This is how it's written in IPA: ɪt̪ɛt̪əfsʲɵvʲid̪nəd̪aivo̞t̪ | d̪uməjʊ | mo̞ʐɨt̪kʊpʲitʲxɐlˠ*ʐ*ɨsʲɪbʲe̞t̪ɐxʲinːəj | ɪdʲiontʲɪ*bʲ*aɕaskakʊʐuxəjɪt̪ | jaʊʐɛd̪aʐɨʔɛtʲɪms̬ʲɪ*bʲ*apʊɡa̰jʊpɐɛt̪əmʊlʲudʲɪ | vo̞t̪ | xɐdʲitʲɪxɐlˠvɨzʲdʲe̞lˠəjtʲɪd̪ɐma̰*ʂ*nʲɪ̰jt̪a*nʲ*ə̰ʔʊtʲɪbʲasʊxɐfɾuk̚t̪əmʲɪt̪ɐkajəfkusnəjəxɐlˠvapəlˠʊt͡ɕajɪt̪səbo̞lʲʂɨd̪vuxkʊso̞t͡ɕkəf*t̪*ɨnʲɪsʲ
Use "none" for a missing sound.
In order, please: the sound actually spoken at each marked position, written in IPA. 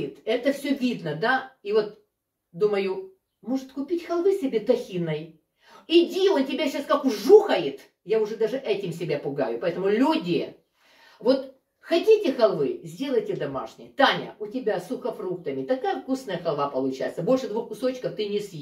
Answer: v, bʲ, bʲ, ʂ, nʲ, t̪

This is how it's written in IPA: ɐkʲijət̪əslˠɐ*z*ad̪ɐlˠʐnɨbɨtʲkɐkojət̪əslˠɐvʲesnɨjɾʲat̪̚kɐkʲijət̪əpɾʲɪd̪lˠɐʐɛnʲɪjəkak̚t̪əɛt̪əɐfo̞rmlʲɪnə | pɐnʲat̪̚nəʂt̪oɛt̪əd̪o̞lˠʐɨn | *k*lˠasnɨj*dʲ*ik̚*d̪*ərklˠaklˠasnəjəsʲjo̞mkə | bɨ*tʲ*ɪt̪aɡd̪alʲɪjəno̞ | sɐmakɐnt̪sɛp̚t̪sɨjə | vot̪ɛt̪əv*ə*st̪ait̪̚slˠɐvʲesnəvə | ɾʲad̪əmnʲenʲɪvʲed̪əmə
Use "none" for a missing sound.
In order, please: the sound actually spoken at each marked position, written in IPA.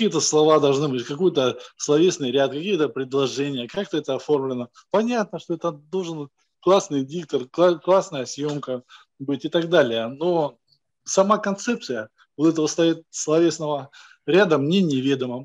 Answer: v, k, dʲ, t̪, tʲ, ə

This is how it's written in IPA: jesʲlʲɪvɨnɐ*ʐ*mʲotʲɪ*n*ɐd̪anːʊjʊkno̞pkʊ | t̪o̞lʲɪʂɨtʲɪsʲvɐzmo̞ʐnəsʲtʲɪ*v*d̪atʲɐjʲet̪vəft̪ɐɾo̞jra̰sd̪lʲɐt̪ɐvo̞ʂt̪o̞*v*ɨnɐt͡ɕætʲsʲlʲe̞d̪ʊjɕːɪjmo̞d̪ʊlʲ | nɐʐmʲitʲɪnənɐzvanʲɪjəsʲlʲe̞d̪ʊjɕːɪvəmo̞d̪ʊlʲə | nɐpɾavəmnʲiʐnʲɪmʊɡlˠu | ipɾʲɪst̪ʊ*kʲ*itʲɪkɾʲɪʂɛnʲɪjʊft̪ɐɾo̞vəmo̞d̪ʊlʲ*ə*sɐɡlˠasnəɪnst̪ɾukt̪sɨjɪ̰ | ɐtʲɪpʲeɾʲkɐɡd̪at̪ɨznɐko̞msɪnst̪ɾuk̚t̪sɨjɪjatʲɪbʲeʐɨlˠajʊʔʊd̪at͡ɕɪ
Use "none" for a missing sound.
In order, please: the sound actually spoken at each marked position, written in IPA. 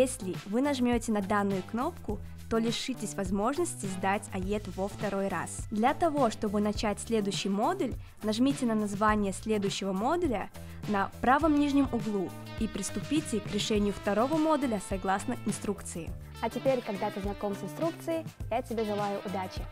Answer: ʐ, n, z, b, pʲ, ə

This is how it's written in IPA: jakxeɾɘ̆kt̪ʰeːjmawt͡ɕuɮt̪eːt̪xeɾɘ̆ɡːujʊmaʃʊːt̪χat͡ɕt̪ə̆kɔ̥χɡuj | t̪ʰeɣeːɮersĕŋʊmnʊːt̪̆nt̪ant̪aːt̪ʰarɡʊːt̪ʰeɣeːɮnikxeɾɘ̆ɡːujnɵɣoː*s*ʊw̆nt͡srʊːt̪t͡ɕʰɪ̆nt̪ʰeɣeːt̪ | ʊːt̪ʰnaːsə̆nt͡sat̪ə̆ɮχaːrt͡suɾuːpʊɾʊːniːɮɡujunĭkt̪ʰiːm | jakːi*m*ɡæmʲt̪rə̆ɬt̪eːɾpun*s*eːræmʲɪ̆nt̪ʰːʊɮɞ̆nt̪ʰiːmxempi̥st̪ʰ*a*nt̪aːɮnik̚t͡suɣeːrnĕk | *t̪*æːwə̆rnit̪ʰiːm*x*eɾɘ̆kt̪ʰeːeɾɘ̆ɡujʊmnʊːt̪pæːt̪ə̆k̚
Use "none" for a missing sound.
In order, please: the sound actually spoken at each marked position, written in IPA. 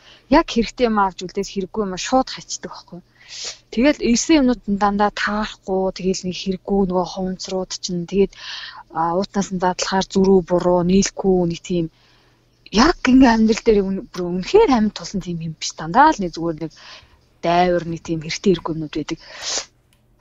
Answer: χ, ŋ, x, a, t̪, x

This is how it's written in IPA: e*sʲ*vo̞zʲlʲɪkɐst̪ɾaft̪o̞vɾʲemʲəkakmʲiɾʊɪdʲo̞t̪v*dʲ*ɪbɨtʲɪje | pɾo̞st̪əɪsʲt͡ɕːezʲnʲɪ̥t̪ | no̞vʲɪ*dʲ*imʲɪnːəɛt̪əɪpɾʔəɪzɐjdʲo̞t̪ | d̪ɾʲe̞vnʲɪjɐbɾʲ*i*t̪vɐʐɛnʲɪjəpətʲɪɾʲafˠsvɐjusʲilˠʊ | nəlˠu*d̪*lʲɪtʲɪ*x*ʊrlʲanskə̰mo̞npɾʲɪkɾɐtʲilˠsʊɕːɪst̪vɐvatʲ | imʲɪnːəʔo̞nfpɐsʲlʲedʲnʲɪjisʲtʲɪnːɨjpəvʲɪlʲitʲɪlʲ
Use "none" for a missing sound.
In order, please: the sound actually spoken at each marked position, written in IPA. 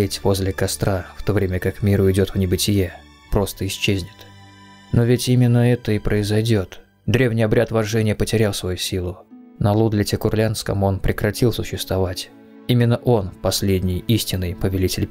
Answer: tʲ, nʲ, tʲ, a, d̪, k

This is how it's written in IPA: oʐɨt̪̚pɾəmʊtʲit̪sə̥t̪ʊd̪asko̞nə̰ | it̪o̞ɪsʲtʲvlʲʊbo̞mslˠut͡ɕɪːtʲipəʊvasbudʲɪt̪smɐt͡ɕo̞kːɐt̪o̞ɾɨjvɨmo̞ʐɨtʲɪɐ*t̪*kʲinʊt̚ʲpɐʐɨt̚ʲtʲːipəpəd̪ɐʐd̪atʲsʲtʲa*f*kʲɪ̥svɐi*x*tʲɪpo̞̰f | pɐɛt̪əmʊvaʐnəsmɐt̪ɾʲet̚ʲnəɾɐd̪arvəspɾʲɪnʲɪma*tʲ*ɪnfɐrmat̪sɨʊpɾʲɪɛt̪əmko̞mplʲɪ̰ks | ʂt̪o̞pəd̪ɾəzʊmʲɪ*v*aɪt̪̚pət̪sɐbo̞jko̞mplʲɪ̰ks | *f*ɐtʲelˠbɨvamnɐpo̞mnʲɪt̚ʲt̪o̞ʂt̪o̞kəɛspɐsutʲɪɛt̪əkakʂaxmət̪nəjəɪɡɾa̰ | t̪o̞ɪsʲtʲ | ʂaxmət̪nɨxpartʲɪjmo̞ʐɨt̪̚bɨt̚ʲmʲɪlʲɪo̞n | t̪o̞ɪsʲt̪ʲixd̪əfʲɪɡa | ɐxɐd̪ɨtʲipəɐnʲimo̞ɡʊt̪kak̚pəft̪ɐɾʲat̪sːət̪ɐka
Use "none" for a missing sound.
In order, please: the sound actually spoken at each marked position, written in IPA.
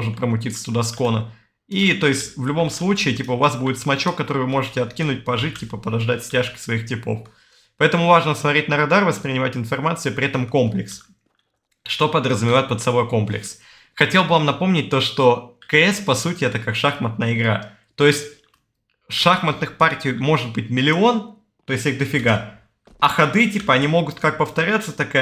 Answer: t̪, ʂ, x, tʲ, v, x

